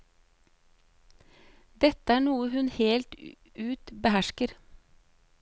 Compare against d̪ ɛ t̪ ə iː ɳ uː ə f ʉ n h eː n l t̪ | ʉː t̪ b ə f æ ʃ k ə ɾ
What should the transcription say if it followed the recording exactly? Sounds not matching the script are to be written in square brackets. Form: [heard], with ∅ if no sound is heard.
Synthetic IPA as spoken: d̪ ɛ t̪ ə [æː] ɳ uː ə [h] ʉ n h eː [∅] l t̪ | ʉː t̪ b ə [h] æ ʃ k ə ɾ